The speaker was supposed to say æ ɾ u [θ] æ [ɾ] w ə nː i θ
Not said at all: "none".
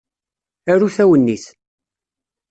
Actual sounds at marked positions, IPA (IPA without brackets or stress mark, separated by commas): θ, none